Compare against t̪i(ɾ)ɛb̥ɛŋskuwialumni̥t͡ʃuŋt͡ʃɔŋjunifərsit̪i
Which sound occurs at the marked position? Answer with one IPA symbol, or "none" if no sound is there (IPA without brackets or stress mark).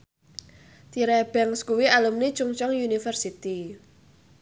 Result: ɾ